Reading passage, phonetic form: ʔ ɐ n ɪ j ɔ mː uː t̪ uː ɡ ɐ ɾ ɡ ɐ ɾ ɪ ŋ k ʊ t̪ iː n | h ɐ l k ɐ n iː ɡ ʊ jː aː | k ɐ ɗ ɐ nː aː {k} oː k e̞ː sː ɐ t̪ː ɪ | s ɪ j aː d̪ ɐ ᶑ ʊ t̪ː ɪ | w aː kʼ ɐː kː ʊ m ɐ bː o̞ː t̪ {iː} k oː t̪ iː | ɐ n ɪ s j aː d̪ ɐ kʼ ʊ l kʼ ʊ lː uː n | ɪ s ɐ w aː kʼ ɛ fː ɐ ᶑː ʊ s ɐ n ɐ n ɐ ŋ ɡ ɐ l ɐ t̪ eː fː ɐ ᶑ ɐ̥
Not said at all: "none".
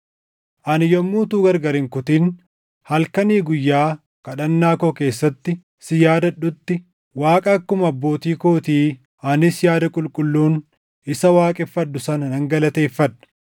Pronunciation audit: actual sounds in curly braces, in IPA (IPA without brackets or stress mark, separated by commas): k, iː